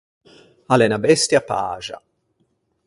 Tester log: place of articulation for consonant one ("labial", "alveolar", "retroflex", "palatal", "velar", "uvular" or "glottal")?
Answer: alveolar